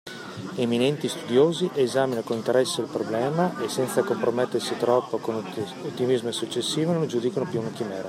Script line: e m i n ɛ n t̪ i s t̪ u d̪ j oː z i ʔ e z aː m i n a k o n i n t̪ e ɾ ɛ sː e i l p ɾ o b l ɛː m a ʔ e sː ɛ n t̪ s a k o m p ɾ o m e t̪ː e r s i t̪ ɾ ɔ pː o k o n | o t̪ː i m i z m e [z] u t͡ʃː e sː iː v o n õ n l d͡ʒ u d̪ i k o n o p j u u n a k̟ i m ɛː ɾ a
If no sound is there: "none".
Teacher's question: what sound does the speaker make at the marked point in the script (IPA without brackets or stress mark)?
s